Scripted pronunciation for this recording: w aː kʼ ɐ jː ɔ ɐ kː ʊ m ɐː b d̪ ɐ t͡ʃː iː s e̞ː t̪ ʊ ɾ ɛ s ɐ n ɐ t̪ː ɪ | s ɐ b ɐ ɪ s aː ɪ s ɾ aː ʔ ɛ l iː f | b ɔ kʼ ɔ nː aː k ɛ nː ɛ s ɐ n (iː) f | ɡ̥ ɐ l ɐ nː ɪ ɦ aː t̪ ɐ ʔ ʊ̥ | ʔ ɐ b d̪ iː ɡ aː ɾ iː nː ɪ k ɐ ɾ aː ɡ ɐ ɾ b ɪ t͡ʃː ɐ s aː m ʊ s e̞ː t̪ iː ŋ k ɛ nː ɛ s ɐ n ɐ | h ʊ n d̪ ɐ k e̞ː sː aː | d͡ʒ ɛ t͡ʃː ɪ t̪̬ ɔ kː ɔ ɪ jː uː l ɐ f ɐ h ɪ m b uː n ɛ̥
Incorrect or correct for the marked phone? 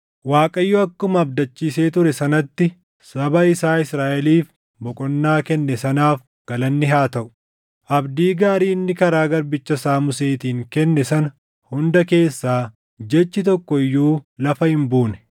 incorrect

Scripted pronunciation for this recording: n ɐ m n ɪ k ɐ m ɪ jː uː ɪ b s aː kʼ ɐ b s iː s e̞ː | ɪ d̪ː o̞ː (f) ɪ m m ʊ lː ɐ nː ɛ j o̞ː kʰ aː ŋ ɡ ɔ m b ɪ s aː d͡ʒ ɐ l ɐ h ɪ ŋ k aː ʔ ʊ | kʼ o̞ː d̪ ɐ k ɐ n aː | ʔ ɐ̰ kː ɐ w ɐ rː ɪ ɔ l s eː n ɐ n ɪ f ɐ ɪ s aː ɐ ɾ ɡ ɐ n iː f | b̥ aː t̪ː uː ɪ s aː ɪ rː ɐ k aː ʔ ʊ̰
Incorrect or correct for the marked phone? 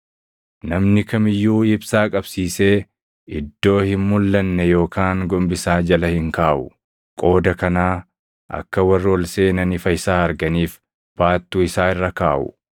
incorrect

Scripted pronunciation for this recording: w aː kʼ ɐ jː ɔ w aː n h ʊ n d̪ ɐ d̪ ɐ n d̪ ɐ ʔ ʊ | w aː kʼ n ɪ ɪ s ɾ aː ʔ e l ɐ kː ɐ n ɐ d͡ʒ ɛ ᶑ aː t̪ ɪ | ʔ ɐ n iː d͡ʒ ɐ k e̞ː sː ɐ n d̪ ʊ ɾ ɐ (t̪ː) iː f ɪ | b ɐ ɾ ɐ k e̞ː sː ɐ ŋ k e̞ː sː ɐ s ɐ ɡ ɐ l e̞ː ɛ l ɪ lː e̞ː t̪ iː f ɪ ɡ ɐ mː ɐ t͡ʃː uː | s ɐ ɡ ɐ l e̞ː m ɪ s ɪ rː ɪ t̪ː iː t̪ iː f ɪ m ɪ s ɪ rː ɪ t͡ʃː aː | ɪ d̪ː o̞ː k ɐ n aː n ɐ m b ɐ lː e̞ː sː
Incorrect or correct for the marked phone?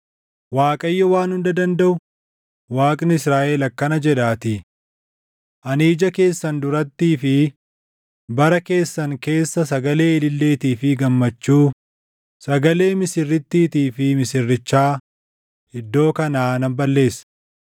correct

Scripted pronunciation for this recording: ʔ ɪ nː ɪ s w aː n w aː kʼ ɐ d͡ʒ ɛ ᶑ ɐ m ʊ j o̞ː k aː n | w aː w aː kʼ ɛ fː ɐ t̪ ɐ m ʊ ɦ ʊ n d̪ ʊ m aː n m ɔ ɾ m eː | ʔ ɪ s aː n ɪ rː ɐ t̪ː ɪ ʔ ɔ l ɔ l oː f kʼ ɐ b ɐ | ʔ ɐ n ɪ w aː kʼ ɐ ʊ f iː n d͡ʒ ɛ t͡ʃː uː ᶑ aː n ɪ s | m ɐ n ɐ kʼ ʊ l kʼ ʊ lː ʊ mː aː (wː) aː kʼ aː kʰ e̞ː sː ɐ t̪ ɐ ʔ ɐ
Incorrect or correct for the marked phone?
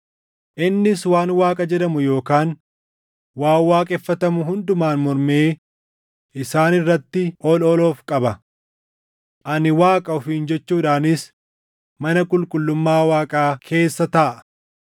incorrect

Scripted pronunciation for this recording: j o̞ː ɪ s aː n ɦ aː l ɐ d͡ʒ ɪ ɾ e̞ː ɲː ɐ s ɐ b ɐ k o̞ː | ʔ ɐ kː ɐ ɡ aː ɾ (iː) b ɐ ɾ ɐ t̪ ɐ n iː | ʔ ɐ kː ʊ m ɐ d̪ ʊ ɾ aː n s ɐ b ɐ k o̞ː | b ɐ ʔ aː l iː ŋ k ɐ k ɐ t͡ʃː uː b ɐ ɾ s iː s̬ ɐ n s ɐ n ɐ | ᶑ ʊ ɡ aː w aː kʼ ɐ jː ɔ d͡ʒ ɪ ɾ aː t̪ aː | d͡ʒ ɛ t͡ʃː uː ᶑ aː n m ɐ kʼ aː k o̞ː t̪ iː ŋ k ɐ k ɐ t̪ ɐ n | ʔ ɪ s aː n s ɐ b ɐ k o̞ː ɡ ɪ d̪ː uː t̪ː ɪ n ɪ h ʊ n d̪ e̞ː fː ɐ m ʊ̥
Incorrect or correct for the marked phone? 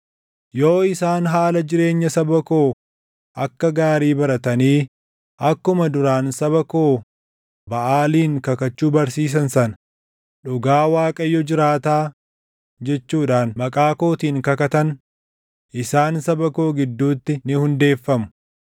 correct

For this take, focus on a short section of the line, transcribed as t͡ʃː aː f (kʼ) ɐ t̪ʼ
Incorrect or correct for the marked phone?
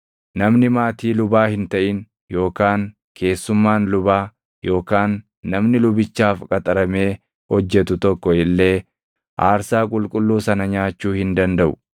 correct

